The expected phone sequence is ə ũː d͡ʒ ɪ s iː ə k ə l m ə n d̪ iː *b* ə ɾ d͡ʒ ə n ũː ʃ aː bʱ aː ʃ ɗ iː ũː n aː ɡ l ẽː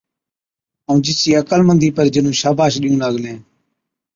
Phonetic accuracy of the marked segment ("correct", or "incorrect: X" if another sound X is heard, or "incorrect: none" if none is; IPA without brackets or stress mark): incorrect: p